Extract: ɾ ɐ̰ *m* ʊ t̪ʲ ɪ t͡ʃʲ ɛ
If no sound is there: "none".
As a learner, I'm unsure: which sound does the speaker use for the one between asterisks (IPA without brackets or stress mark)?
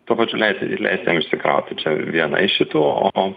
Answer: none